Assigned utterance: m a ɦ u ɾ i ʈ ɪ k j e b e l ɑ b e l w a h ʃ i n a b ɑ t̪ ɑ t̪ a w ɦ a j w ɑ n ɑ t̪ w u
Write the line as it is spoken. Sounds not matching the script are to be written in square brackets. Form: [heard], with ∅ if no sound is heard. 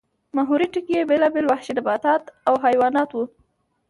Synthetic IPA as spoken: m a ɦ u ɾ i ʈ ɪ k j e b e l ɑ b e l w a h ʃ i n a b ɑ t̪ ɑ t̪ a w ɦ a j w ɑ n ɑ t̪ w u